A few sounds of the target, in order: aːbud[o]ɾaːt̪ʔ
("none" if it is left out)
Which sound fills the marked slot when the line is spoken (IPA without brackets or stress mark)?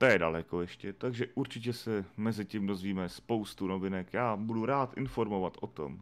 u